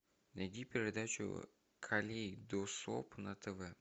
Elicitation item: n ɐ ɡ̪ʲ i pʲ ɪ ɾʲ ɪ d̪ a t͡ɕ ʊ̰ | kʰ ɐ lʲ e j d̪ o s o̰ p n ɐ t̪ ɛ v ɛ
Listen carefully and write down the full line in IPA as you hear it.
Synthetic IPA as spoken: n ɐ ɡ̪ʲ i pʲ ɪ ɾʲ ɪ d̪ a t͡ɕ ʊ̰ | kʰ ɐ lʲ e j d̪ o s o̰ p n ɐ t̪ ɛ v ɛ